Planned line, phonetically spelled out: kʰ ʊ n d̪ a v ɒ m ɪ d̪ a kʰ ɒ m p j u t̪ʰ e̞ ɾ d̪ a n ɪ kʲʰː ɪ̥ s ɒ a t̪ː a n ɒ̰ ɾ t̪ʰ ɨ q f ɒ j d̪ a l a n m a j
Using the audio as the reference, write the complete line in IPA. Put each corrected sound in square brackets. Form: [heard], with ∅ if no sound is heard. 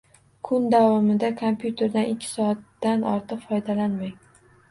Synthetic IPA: kʰ ʊ n d̪ a v ɒ m ɪ d̪ a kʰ [o] m p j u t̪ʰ e̞ ɾ d̪ a n ɪ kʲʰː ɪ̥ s ɒ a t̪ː a n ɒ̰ ɾ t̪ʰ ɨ q f ɒ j d̪ a l a n m a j